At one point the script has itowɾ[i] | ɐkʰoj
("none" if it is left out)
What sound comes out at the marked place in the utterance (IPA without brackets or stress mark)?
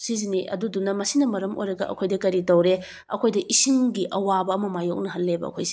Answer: e